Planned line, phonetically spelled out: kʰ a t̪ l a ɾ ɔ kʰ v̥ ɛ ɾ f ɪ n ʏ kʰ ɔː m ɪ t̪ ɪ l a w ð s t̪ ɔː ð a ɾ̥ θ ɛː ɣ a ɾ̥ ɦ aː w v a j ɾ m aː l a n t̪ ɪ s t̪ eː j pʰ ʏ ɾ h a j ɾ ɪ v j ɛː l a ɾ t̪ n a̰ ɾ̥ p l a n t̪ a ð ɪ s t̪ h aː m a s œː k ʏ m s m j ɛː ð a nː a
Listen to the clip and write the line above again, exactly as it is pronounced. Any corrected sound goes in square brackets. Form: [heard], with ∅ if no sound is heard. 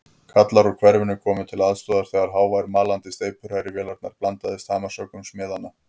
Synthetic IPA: kʰ a t̪ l a ɾ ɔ kʰ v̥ ɛ ɾ [v] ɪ n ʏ kʰ ɔː m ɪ [t̪ʰ] ɪ l a [∅] ð s t̪ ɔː ð a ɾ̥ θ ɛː ɣ a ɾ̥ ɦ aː w v a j ɾ m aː l a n t̪ ɪ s t̪ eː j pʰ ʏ ɾ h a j ɾ ɪ v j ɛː l a ɾ t̪ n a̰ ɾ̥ p l a n t̪ a ð ɪ s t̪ h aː m a s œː k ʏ m s m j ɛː ð a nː a